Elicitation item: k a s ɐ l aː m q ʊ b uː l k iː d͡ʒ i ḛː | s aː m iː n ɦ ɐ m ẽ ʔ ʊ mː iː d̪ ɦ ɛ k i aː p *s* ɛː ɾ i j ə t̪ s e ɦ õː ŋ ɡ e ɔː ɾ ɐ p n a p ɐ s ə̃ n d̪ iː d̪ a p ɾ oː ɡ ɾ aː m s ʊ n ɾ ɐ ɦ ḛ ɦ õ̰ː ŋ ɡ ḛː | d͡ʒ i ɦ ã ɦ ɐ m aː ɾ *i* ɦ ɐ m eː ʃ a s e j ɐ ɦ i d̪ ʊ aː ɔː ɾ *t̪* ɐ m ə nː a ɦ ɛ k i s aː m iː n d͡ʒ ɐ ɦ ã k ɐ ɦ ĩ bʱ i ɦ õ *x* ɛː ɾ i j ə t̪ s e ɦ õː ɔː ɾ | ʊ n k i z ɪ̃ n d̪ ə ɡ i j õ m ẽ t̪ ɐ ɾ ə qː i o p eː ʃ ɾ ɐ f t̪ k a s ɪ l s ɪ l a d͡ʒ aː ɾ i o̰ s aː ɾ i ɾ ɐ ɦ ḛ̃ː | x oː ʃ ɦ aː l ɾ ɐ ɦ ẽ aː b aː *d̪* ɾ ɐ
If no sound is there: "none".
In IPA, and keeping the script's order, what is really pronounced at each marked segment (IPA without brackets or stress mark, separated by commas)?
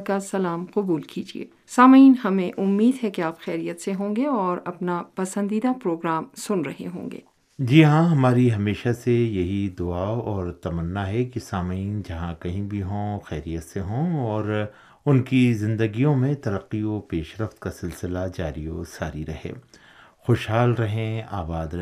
x, i, t̪, x, d̪